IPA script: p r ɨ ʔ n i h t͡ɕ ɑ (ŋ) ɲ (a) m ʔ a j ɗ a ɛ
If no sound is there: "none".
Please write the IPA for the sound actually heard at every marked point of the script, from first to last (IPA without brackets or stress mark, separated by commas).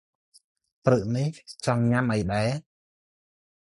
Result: ŋ, a